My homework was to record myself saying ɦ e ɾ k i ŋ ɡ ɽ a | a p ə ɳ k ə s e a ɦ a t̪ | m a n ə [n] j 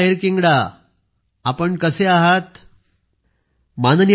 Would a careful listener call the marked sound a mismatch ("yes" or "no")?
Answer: no